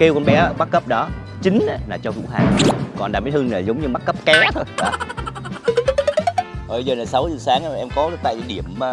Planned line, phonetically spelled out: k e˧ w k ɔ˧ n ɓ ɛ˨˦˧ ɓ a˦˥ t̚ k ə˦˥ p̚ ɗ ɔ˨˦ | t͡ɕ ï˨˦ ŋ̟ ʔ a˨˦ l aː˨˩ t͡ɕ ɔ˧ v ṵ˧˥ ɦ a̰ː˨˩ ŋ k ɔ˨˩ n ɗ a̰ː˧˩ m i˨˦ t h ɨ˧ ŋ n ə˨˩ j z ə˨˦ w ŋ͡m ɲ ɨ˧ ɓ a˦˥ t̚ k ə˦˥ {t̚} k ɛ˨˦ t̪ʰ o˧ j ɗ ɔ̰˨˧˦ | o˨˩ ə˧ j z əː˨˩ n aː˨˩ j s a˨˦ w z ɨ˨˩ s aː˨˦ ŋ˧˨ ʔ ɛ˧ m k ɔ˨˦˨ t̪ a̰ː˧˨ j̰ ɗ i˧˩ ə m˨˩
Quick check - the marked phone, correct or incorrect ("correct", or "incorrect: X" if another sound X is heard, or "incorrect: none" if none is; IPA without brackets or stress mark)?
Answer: incorrect: p̚